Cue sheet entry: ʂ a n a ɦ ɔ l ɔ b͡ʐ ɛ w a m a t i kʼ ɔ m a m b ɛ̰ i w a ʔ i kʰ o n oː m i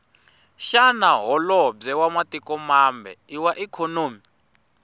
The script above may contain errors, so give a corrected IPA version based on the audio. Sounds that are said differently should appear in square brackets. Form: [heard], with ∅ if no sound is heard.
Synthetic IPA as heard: [ʃ] a n a ɦ ɔ l ɔ b͡ʐ ɛ w a m a t i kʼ ɔ m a m b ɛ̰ i w a ʔ i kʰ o n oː m i